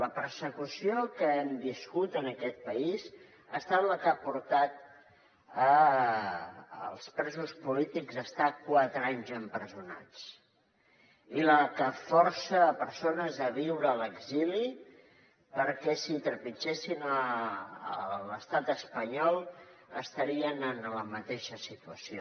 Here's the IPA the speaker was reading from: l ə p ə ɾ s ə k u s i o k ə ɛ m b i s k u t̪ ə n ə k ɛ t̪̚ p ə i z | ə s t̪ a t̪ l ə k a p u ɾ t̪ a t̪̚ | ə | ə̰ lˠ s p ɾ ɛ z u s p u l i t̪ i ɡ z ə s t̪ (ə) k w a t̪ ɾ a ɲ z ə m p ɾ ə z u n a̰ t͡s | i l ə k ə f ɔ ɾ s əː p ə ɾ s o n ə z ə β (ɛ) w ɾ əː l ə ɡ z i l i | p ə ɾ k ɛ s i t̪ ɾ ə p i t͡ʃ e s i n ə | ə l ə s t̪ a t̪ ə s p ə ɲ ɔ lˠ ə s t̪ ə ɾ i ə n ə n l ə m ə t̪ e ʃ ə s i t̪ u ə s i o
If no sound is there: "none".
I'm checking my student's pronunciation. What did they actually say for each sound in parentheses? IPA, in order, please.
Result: a, i

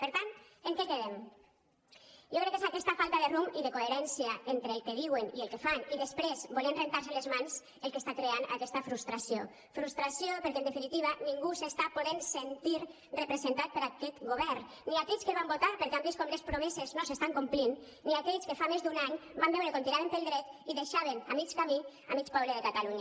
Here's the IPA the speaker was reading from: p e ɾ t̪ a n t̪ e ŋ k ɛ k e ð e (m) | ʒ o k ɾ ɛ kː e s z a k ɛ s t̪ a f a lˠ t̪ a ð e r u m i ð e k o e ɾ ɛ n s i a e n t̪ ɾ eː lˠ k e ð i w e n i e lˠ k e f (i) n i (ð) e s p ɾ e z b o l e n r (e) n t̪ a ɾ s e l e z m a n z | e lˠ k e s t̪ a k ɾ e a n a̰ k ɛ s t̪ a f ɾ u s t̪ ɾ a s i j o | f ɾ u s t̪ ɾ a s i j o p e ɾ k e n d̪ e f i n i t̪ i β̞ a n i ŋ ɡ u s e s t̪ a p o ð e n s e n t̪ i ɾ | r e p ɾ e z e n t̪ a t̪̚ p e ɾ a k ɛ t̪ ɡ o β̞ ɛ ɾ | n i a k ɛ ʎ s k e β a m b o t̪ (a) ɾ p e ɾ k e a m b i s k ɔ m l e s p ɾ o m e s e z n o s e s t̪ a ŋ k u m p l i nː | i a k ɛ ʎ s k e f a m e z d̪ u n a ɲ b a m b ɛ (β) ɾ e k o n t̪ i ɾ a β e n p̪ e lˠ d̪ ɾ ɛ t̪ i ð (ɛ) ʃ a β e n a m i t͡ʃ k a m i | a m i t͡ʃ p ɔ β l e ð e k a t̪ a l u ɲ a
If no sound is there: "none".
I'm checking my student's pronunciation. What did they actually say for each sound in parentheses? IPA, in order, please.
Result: m, a, ð, e, a, w, e

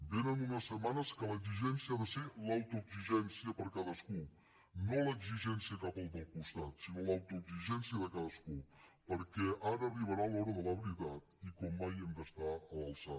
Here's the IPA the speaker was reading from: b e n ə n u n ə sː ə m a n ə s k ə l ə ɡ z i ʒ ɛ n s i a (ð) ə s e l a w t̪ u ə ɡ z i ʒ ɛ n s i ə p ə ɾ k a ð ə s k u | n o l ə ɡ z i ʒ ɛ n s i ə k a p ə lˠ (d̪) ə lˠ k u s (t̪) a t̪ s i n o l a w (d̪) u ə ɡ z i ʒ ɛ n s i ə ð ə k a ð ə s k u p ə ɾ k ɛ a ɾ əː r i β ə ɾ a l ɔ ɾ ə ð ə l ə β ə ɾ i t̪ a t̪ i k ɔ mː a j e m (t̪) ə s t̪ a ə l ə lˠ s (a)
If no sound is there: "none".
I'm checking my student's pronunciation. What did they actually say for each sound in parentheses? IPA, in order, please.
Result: ð, d̪, t̪, t̪, d̪, a

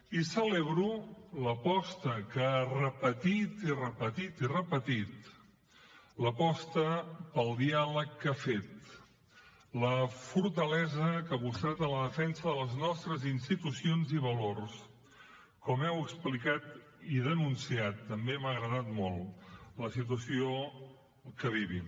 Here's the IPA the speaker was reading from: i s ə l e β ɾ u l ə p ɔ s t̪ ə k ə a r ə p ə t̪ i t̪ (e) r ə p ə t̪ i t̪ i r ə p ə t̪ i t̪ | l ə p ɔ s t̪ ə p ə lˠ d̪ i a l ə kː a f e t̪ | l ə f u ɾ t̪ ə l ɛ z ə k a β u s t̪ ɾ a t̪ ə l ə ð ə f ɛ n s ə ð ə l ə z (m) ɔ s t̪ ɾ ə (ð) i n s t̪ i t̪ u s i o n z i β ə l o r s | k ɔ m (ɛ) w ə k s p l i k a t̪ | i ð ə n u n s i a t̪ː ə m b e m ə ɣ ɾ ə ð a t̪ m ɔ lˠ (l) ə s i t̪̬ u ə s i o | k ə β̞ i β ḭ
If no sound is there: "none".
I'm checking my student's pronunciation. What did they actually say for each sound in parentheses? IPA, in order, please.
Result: i, n, z, ɛ, l

